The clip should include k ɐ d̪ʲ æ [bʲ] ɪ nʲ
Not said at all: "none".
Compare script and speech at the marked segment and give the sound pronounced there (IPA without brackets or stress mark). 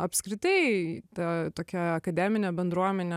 mʲ